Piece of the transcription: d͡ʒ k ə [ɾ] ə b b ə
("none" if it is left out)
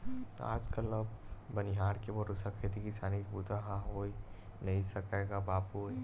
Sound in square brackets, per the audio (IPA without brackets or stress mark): l